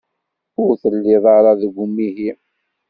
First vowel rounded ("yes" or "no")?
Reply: yes